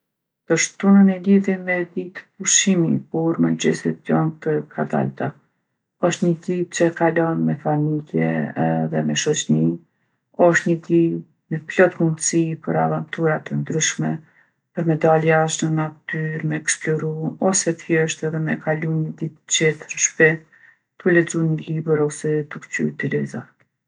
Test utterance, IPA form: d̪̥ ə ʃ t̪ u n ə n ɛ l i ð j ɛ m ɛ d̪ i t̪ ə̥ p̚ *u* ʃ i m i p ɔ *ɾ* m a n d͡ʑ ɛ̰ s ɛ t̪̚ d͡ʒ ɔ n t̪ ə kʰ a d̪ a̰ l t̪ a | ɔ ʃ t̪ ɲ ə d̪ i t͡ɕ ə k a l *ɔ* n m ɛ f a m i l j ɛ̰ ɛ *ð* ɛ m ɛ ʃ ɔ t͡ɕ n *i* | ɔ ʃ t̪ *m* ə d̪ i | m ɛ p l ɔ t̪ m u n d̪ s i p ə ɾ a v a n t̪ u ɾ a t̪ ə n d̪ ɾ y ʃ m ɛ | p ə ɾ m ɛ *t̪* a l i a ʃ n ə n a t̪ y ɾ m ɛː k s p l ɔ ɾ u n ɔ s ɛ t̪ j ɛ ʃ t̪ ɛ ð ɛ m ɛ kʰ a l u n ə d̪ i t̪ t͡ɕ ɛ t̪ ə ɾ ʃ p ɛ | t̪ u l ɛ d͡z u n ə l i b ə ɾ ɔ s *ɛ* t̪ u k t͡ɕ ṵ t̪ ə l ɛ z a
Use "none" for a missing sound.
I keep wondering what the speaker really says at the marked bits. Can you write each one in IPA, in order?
u, ɾ, ɔ, ð, i, ɲ, d̪, ɛ

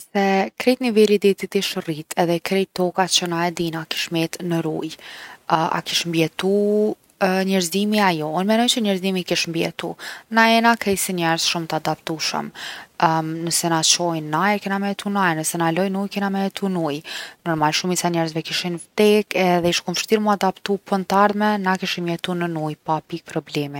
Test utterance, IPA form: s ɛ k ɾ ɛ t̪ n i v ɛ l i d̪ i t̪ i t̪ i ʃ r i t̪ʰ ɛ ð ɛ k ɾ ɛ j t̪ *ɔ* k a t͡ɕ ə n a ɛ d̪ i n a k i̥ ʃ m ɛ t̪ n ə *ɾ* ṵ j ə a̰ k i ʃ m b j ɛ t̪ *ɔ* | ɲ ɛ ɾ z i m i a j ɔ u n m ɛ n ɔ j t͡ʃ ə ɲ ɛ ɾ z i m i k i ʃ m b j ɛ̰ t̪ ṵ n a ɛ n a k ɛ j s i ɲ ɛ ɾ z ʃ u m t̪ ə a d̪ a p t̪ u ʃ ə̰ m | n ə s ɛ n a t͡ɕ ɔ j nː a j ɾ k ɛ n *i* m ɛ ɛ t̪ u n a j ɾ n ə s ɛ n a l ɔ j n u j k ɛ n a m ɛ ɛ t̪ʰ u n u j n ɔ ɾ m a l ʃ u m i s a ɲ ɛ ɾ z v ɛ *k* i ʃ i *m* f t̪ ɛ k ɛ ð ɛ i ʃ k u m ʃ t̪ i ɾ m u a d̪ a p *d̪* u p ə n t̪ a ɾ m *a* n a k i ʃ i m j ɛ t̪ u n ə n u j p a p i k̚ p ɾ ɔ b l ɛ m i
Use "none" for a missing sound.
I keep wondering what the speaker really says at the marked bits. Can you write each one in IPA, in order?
ɔ, ɾ, u, a, k, n, t̪, ɛ

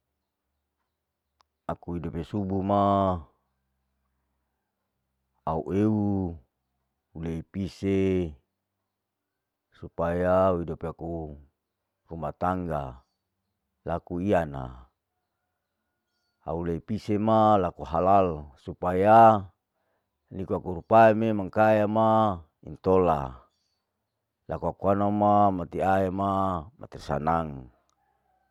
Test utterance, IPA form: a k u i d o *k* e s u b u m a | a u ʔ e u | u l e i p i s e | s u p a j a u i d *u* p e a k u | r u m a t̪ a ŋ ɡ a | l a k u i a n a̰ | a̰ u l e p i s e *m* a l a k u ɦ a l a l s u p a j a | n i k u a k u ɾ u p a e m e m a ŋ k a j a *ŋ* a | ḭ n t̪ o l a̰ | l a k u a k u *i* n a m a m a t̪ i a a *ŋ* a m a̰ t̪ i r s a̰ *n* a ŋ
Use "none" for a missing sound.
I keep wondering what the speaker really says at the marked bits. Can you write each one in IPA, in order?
p, o, m, m, a, m, n

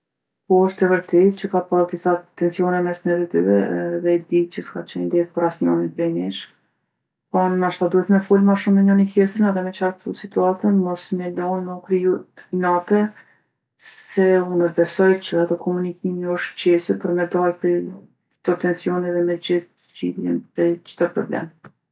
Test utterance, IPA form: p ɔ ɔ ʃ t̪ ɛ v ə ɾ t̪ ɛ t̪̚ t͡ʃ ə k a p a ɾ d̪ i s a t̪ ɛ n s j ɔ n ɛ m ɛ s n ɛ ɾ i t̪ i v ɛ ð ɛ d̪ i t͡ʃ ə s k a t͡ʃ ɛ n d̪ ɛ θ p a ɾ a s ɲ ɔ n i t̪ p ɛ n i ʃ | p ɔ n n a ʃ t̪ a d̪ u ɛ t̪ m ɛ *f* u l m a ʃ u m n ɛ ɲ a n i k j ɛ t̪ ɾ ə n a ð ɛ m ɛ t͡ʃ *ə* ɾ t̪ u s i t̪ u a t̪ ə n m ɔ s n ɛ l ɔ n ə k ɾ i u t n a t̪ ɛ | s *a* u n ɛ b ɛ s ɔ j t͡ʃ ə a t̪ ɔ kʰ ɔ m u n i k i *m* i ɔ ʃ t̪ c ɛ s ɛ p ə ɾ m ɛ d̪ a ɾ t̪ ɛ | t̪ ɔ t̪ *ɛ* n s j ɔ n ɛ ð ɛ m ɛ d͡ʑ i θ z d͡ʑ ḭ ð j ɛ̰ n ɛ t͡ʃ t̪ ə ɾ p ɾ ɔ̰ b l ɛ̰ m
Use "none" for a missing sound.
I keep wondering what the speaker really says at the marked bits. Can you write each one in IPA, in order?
f, a, ɛ, m, ɛ

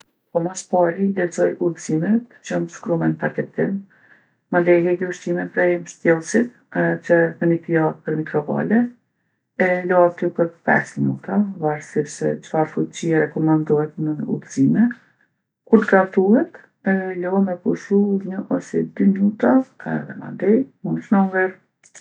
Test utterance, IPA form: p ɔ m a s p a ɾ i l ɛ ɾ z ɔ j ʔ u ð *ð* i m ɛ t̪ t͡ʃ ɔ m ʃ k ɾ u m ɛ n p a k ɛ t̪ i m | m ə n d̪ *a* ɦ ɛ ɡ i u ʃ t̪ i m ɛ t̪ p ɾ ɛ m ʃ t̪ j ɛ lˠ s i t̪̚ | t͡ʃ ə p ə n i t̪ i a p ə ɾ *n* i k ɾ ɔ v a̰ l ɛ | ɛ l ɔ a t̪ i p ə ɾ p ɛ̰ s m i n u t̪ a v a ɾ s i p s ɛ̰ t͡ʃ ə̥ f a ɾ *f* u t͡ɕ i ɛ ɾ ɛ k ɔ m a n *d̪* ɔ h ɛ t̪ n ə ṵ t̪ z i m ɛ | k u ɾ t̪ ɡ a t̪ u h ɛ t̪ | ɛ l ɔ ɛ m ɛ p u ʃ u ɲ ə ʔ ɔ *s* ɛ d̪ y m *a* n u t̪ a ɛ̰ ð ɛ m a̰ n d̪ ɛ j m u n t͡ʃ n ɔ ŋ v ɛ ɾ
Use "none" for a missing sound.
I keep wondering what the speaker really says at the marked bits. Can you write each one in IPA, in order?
z, ɛ, m, f, d̪, s, i

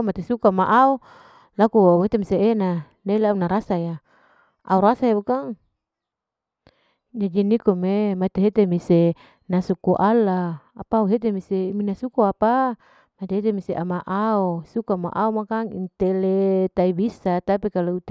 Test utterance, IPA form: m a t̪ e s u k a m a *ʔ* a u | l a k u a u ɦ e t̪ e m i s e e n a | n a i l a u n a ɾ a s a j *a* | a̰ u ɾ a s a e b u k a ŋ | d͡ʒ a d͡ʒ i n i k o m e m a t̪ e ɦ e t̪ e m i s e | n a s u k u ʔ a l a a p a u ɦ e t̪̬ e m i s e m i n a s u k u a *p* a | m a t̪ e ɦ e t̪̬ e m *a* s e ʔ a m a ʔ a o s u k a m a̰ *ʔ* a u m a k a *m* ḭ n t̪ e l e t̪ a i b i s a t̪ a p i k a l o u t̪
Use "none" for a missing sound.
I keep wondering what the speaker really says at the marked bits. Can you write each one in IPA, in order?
ʔ, a, p, i, ʔ, ŋ

